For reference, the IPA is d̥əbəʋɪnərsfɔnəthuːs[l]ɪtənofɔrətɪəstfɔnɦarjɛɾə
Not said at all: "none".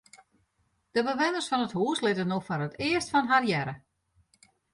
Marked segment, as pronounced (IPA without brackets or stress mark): l